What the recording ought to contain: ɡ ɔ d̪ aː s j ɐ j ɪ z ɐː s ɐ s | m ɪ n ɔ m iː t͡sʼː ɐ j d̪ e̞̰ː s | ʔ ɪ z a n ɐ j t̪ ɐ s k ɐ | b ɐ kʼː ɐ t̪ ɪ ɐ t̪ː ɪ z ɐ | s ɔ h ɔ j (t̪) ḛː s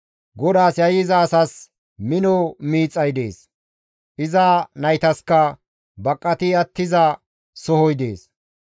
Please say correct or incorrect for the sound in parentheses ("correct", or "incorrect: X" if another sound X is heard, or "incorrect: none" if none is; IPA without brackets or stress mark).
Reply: incorrect: d̪